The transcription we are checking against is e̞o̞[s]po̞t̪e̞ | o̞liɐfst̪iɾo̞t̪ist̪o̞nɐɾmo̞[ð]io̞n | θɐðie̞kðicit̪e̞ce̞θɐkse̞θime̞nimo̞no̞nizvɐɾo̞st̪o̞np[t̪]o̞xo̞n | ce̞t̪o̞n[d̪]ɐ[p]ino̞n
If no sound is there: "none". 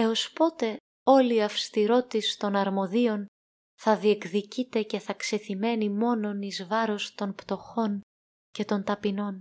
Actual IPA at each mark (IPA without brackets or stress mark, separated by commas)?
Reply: s, ð, t̪, t̪, p